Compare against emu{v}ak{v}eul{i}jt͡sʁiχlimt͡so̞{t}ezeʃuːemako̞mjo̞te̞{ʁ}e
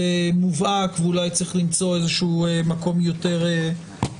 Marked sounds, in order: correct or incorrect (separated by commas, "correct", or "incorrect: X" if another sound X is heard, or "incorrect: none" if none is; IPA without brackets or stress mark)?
correct, correct, incorrect: a, incorrect: none, correct